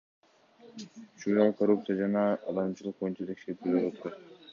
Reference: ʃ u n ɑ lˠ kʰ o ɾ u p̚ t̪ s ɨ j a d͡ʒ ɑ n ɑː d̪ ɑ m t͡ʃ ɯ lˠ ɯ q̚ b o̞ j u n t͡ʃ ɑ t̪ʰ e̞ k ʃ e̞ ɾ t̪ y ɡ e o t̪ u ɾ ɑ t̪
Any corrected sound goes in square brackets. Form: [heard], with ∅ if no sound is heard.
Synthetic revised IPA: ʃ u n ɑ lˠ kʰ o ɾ u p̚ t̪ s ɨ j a d͡ʒ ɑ n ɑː d̪ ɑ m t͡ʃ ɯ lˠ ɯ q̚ b o̞ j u n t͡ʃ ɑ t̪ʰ e̞ k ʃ e̞ ɾ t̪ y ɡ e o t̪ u ɾ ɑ t̪